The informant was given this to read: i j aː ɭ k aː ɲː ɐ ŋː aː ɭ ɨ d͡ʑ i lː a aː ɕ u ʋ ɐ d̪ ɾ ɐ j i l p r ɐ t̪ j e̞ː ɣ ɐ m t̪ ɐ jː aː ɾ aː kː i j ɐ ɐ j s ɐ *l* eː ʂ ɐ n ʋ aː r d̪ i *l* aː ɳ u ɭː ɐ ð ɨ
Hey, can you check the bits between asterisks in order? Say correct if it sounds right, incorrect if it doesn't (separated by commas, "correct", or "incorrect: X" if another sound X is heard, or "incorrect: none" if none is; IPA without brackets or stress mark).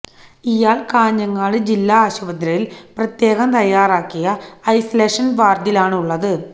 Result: correct, correct